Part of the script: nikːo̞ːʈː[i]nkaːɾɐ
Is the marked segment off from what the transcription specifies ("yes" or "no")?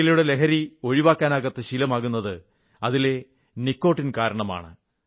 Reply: no